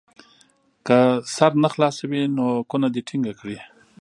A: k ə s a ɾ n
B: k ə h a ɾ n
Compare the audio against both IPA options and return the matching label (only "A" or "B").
A